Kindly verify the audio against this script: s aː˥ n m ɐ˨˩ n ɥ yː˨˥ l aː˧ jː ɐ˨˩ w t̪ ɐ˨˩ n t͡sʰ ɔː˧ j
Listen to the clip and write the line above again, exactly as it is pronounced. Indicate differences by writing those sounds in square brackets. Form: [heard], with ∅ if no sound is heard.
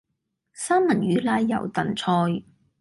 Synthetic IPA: s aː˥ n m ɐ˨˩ n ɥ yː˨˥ l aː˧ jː ɐ˨˩ w t̪ ɐ˨˩ n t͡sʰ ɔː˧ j